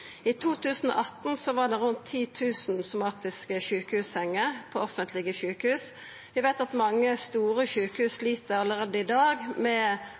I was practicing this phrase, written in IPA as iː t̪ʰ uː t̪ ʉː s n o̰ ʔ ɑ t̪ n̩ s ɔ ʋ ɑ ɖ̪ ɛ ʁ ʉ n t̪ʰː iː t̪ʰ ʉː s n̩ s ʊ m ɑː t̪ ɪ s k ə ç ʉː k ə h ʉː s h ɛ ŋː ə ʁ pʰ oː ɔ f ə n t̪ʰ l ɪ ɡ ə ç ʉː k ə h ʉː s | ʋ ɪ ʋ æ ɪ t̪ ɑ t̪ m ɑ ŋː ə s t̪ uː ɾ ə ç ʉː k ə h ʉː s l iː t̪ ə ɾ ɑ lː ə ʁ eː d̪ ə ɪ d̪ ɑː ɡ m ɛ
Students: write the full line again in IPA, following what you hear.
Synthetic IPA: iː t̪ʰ uː t̪ ʉː s n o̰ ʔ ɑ t̪ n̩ s ɔ ʋ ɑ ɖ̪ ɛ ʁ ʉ n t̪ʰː iː t̪ʰ ʉː s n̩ s ʊ m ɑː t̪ ɪ s k ə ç ʉː k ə h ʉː s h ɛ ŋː ə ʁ pʰ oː ɔ f ə n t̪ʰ l ɪ ɡ ə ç ʉː k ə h ʉː s | ʋ ɪ ʋ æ ɪ t̪ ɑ t̪ m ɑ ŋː ə s t̪ uː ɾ ə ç ʉː k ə h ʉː s l iː t̪ ə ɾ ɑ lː ə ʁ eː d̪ ə ɪ d̪ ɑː ɡ m ɛ